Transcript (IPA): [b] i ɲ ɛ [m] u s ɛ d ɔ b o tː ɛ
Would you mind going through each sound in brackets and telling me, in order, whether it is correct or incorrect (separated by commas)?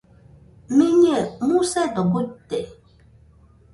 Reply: incorrect, correct